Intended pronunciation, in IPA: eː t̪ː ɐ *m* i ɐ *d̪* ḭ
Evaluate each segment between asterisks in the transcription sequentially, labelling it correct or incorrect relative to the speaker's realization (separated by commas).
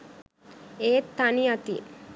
incorrect, incorrect